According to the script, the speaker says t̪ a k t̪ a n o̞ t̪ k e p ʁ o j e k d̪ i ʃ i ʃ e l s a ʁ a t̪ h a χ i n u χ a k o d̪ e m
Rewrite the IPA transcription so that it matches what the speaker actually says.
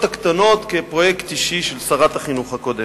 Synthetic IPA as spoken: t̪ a k t̪ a n o̞ t̪ k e p ʁ o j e k t̪ i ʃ i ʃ e l s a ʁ a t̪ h a χ i n u χ a k o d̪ e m